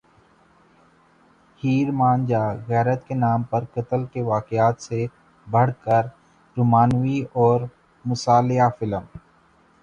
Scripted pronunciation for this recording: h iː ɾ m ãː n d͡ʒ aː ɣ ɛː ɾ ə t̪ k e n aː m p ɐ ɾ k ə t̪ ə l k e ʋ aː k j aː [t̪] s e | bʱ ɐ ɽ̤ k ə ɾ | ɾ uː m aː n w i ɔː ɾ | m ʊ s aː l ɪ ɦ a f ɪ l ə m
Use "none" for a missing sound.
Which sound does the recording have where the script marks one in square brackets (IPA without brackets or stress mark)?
t̪